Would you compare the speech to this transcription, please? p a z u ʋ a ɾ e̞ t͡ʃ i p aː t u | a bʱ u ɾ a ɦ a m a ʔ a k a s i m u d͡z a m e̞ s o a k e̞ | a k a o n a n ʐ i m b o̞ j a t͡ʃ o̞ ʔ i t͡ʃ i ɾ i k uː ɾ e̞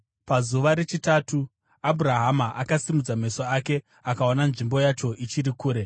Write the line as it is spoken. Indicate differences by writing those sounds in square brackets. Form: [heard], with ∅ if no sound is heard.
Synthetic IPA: p a z u ʋ a ɾ e̞ t͡ʃ i [t] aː t u | a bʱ u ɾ a ɦ a m a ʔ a k a s i m u d͡z a m e̞ s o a k e̞ | a k a o n a n ʐ i m b o̞ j a t͡ʃ o̞ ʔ i t͡ʃ i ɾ i k uː ɾ e̞